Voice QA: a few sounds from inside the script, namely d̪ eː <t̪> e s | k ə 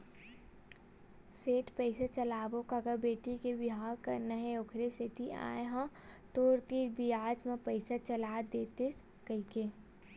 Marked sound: correct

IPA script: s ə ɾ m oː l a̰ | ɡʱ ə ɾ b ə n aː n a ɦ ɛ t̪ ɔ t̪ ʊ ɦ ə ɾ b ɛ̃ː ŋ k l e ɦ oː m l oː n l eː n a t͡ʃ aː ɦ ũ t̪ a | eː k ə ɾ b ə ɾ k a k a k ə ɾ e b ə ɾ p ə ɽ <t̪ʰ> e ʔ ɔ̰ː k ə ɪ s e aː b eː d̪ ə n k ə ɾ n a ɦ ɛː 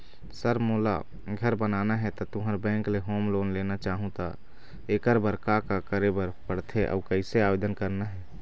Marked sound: correct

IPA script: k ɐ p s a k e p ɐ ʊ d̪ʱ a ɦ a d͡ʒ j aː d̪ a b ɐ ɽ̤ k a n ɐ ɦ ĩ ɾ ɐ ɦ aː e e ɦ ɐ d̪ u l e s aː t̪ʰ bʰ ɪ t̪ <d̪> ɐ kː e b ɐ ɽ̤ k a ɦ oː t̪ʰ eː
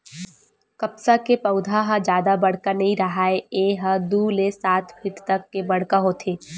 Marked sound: incorrect: t̪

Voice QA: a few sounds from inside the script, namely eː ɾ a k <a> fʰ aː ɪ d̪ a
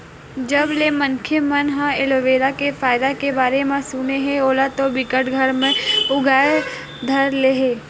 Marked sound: incorrect: e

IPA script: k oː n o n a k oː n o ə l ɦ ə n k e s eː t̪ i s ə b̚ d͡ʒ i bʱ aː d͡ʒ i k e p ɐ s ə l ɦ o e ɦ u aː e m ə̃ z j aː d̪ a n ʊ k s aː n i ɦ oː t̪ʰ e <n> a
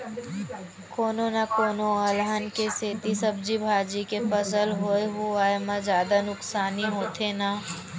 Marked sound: correct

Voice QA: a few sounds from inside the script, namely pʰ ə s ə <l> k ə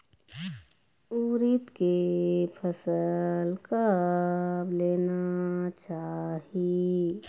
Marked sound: correct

